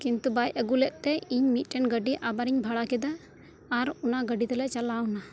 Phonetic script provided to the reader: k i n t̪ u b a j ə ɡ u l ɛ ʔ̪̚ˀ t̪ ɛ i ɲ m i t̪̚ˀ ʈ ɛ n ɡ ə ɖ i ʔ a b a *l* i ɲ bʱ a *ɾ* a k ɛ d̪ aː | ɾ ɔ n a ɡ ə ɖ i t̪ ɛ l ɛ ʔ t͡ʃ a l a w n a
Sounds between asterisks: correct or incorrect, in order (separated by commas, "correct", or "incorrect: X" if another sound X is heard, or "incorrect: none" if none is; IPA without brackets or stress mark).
incorrect: ɾ, incorrect: ɽ